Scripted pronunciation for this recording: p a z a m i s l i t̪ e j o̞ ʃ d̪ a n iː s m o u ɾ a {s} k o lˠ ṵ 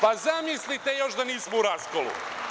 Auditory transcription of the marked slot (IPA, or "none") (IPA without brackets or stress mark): s